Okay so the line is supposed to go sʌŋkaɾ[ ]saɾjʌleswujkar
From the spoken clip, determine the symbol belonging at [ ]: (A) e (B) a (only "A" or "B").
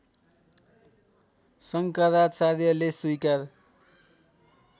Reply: B